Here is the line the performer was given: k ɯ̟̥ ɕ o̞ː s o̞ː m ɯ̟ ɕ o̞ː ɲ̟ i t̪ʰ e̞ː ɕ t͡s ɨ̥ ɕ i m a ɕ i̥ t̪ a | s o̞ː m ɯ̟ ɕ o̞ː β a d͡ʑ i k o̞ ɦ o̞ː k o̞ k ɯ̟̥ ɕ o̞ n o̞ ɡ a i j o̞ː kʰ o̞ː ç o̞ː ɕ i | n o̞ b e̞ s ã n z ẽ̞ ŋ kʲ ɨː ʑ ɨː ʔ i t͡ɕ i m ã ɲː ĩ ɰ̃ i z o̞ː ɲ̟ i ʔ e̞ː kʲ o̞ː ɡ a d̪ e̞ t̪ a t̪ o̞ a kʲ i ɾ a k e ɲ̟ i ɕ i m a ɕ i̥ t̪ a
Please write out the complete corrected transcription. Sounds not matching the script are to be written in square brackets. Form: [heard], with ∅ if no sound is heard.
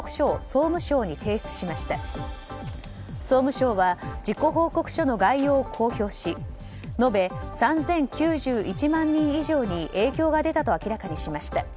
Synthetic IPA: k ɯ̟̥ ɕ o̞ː s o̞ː m ɯ̟ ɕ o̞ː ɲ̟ i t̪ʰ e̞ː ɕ t͡s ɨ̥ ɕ i m a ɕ i̥ t̪ a | s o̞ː m ɯ̟ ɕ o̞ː β a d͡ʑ i k o̞ ɦ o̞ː k o̞ k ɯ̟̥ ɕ o̞ n o̞ ɡ a i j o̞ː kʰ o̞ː ç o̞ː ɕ i | n o̞ b e̞ s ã n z ẽ̞ ŋ kʲ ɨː ʑ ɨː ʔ i t͡ɕ i m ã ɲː ĩ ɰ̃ i [ʑ] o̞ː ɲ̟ i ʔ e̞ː kʲ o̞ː ɡ a d̪ e̞ t̪ a t̪ o̞ a kʲ i ɾ a k [a] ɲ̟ i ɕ i m a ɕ i̥ t̪ a